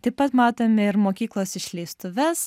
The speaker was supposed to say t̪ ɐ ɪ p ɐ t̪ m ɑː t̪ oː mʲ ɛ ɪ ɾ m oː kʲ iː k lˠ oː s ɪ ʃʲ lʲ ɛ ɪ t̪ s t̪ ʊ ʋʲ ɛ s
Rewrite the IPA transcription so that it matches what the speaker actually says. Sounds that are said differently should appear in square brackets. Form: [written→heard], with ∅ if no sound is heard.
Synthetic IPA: t̪ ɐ ɪ p ɐ t̪ m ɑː t̪ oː mʲ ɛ ɪ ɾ m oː kʲ iː k lˠ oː s ɪ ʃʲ lʲ ɛ ɪ [t̪→∅] s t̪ ʊ ʋʲ ɛ s

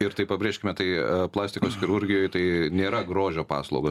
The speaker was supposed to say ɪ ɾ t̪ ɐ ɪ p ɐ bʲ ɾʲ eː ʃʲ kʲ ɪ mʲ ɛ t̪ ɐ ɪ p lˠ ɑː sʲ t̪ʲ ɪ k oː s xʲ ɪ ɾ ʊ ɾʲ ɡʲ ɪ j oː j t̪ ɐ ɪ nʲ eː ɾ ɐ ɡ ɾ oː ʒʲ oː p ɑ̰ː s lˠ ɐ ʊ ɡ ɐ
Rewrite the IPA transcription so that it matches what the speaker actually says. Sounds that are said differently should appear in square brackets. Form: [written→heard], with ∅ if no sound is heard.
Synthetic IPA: ɪ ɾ t̪ ɐ ɪ p ɐ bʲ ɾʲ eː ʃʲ kʲ ɪ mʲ ɛ t̪ ɐ ɪ p lˠ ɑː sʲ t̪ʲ ɪ k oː s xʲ ɪ ɾ ʊ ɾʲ ɡʲ ɪ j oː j t̪ ɐ ɪ nʲ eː ɾ ɐ ɡ ɾ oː ʒʲ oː p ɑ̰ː s lˠ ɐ ʊ ɡ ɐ

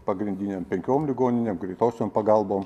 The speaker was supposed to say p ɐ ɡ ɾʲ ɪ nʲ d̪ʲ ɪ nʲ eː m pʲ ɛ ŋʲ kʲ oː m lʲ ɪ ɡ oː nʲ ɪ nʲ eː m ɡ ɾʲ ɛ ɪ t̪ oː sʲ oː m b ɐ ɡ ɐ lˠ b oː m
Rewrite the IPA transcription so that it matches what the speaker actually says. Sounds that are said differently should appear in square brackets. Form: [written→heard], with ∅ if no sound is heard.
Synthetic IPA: p ɐ ɡ ɾʲ ɪ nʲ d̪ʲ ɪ nʲ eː m pʲ ɛ ŋʲ kʲ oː m lʲ ɪ ɡ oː nʲ ɪ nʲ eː m ɡ ɾʲ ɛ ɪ t̪ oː sʲ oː m [b→p] ɐ ɡ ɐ lˠ b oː m

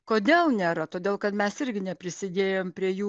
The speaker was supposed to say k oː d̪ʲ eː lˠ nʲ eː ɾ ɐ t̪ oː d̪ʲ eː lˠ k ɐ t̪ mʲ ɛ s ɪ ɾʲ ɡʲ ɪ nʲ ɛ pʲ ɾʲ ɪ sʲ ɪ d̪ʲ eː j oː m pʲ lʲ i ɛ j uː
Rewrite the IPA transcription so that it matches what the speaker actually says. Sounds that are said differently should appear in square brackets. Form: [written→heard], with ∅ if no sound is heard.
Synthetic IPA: k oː d̪ʲ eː lˠ nʲ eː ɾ ɐ t̪ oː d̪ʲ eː lˠ k ɐ t̪ mʲ ɛ s ɪ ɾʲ ɡʲ ɪ nʲ ɛ pʲ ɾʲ ɪ sʲ ɪ d̪ʲ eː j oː m pʲ [lʲ→ɾʲ] i ɛ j uː

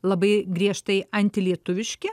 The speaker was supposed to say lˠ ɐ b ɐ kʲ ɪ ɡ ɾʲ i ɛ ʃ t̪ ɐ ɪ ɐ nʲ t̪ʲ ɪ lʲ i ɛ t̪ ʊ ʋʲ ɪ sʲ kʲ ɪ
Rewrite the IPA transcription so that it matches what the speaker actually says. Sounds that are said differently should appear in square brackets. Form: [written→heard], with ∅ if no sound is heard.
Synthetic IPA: lˠ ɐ b ɐ [kʲ→∅] ɪ ɡ ɾʲ i ɛ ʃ t̪ ɐ ɪ ɐ nʲ t̪ʲ ɪ lʲ i ɛ t̪ ʊ ʋʲ ɪ [sʲ→ʃʲ] kʲ ɪ

